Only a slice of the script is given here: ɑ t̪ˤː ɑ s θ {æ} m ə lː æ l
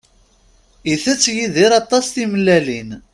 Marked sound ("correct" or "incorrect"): incorrect